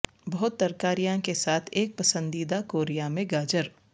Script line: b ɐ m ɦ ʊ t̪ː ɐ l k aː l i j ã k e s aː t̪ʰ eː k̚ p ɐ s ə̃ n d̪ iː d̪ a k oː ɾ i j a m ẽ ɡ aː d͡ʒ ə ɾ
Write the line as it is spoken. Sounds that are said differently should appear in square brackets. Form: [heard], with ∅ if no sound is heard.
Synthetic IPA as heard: b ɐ [∅] ɦ ʊ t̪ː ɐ [ɾ] k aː [ɾ] i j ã k e s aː t̪ʰ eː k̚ p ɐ s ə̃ n d̪ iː d̪ a k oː ɾ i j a m ẽ ɡ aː d͡ʒ ə ɾ